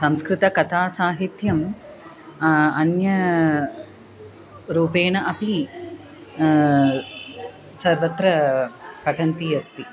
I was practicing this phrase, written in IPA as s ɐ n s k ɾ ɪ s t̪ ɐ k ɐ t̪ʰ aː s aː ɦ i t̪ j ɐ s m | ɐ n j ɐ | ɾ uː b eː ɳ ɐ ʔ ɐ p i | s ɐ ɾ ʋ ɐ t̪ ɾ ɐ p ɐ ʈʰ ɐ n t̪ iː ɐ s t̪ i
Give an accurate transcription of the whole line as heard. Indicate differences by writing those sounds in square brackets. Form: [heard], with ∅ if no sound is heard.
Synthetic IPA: s ɐ [m] s k ɾ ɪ [∅] t̪ ɐ k ɐ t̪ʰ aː s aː ɦ i t̪ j ɐ [∅] m | ɐ n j ɐ | ɾ uː [p] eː ɳ ɐ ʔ ɐ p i | s ɐ ɾ ʋ ɐ t̪ ɾ ɐ p ɐ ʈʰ ɐ n t̪ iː ɐ s t̪ i